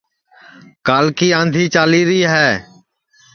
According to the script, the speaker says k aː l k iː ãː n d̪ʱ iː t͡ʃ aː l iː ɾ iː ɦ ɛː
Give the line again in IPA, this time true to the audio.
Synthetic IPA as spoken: k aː l k iː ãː n d̪ʱ iː t͡ʃ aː l iː ɾ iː ɦ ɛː